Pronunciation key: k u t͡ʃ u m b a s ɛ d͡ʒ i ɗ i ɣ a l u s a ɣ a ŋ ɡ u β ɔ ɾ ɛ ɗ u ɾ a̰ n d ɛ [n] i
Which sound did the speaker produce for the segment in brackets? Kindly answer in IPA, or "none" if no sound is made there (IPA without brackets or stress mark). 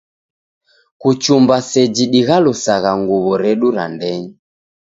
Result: ɲ